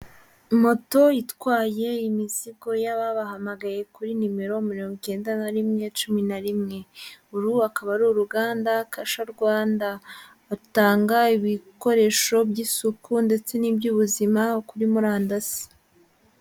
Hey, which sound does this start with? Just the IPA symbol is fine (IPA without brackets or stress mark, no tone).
m